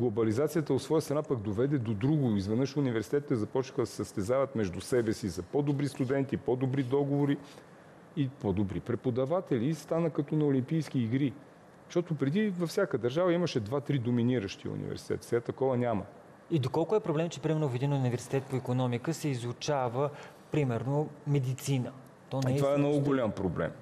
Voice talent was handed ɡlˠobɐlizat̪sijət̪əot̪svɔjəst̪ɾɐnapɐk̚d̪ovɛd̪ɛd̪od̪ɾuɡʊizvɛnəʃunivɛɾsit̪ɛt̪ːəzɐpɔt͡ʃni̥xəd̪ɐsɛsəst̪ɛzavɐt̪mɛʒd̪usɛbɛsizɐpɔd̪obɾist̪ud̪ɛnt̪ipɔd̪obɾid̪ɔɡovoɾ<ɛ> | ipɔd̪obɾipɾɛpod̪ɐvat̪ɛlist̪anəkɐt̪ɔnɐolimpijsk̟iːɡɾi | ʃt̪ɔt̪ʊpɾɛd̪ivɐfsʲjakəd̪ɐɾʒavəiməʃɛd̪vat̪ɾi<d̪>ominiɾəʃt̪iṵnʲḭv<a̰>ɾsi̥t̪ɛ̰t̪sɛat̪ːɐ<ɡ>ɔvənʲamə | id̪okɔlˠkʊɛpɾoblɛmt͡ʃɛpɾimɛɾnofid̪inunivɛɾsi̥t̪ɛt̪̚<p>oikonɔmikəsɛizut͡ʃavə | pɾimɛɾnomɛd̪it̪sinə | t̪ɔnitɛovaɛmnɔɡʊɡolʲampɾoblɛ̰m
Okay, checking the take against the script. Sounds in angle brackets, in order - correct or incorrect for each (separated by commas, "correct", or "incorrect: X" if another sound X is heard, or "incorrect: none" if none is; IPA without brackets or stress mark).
incorrect: i, correct, incorrect: ɛ̰, incorrect: k, correct